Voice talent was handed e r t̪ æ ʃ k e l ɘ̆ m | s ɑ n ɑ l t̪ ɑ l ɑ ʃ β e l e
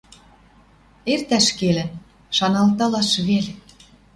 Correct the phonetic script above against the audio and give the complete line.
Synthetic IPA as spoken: e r t̪ æ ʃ k e l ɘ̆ n | ʃ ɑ n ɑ l t̪ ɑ l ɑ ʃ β e l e